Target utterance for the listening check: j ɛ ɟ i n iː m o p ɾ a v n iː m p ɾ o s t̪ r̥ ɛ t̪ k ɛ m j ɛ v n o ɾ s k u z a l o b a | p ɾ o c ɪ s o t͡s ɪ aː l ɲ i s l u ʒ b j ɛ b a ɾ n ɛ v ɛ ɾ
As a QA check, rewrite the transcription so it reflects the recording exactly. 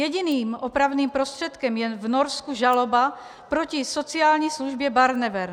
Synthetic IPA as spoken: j ɛ ɟ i n iː m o p ɾ a v n iː m p ɾ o s t̪ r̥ ɛ t̪ k ɛ m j ɛ v n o ɾ s k u ʒ a l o b a | p ɾ o c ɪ s o t͡s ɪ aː l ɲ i s l u ʒ b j ɛ b a ɾ n ɛ v ɛ ɾ